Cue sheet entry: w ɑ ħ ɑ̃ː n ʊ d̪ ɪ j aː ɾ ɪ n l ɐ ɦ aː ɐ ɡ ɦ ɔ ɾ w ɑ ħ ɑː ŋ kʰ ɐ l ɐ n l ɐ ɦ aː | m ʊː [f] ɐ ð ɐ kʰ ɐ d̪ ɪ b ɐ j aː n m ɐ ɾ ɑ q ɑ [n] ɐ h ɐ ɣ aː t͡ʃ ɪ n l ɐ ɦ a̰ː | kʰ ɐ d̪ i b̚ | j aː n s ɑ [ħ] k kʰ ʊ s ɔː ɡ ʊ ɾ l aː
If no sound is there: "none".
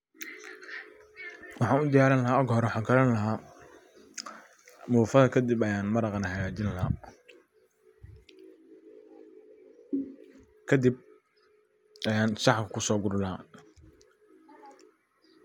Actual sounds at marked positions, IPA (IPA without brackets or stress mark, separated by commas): f, n, ħ